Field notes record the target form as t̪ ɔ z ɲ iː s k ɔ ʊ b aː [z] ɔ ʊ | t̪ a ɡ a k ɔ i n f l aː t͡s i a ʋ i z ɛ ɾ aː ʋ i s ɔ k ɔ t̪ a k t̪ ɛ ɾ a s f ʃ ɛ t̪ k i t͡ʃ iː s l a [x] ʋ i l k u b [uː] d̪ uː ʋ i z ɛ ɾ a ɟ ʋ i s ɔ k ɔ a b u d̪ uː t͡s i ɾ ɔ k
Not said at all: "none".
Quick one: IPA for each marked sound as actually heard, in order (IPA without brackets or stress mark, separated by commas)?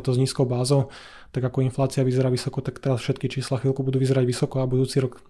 z, x, u